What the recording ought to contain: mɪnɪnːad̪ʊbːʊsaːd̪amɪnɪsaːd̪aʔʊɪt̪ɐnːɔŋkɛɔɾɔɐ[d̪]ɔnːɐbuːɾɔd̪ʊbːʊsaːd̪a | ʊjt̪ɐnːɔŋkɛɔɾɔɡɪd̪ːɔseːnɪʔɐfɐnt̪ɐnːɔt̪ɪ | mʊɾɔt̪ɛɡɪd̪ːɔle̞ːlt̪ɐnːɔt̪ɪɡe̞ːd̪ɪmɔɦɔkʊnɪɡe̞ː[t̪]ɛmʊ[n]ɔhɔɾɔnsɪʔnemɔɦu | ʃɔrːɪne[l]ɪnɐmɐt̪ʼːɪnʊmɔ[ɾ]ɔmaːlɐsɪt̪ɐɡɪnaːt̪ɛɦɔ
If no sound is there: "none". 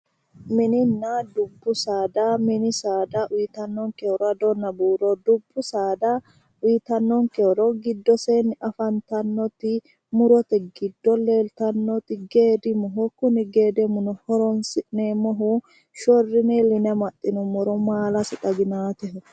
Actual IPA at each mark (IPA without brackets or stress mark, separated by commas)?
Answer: d̪, d̪, n, l, ɾ